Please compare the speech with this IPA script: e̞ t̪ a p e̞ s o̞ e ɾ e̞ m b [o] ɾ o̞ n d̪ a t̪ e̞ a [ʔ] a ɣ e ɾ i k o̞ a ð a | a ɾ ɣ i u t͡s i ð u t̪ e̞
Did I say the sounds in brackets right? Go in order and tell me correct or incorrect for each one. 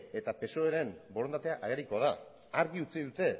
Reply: correct, correct

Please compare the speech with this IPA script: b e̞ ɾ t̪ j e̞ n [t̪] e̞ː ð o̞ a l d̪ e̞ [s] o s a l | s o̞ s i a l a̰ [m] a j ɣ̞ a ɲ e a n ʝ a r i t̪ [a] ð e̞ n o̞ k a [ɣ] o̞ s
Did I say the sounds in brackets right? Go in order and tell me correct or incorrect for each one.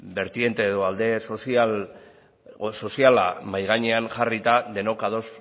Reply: correct, correct, correct, correct, incorrect

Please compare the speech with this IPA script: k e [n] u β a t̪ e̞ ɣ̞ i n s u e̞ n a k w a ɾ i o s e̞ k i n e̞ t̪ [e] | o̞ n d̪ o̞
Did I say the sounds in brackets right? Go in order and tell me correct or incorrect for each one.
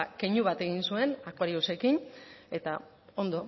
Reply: incorrect, incorrect

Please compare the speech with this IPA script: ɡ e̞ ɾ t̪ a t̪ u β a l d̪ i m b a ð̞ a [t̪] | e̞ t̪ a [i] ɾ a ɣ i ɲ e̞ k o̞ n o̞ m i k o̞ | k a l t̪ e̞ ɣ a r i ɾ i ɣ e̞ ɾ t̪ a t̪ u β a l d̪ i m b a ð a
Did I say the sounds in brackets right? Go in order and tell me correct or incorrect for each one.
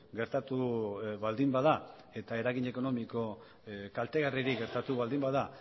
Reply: incorrect, incorrect

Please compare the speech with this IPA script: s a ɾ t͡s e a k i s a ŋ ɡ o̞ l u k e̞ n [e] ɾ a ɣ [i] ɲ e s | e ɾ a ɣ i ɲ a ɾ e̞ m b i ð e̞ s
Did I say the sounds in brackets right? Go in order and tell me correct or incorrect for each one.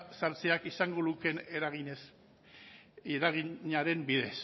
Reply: correct, correct

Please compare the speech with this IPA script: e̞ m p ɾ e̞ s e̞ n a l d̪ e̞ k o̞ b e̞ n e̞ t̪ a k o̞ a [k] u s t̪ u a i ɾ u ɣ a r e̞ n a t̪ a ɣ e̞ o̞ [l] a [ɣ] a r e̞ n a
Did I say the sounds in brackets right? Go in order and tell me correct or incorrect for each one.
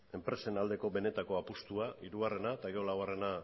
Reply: incorrect, correct, incorrect

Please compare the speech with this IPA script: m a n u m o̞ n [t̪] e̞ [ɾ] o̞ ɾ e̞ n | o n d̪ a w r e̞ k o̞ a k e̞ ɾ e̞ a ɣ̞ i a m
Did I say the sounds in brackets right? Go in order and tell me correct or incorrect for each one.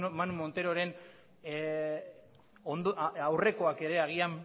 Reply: correct, correct

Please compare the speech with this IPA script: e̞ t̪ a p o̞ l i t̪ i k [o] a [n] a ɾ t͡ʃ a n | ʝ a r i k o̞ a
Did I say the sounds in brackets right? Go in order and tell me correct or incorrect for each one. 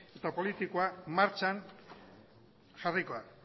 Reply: correct, incorrect

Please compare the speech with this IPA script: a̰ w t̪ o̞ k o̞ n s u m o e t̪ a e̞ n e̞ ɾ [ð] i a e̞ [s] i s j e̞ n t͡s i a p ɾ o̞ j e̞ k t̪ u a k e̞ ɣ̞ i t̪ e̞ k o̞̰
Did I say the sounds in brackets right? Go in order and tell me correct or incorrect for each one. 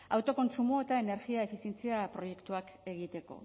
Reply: incorrect, incorrect

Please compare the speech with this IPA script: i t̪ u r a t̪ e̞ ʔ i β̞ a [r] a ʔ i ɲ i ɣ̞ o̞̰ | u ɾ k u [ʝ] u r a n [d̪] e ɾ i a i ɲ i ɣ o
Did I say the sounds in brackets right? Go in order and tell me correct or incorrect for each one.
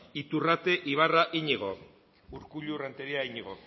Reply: correct, incorrect, incorrect

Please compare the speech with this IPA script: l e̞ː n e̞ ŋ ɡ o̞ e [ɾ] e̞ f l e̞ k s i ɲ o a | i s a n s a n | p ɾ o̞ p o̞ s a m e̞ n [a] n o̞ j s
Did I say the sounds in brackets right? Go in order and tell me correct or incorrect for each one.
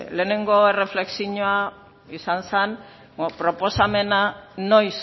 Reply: incorrect, correct

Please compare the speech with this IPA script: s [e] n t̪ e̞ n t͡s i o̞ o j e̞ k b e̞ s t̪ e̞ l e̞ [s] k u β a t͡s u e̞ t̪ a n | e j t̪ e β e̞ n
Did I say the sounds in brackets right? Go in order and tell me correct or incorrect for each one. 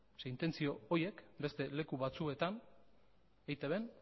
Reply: correct, incorrect

